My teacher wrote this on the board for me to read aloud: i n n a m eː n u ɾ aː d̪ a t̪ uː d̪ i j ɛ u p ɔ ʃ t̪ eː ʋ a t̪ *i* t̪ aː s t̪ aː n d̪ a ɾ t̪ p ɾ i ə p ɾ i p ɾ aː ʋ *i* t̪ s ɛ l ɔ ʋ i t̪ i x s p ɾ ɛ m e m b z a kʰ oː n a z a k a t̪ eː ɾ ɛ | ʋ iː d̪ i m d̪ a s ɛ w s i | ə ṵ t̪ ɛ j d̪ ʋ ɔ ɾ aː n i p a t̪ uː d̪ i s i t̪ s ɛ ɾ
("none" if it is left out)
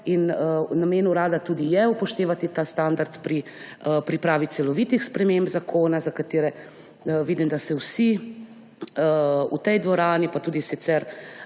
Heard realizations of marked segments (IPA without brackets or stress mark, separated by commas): i, i